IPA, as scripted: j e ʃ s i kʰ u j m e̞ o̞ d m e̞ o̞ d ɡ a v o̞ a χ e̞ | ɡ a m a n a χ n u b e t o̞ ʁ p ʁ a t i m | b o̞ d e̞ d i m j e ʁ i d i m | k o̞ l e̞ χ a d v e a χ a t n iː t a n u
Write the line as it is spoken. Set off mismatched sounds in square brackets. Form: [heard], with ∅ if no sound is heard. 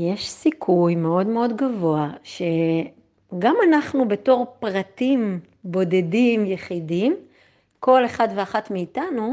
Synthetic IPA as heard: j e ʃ s i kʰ u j m e̞ o̞ d m e̞ o̞ d ɡ a v o̞ a [ʃ] e̞ | ɡ a m a n a χ n u b e t o̞ ʁ p ʁ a t i m | b o̞ d e̞ d i m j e [χ] i d i m | k o̞ l e̞ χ a d v e a χ a t [m] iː t a n u